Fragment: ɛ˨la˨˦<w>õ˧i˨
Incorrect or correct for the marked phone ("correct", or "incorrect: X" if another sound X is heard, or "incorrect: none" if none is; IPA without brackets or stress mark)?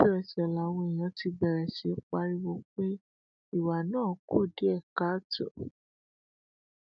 correct